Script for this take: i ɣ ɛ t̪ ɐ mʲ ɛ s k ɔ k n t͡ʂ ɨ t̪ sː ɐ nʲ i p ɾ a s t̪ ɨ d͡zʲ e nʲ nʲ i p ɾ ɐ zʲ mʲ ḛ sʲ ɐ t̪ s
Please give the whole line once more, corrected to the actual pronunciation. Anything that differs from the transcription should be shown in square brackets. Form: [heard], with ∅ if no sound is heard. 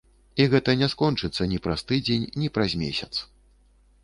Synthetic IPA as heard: i ɣ ɛ t̪ ɐ [nʲ] ɛ s k ɔ [∅] n t͡ʂ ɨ t̪ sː ɐ nʲ i p ɾ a s t̪ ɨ d͡zʲ e nʲ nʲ i p ɾ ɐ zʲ mʲ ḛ sʲ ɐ t̪ s